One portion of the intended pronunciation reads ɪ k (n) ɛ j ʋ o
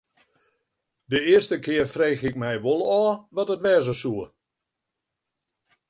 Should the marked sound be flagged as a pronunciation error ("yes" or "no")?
yes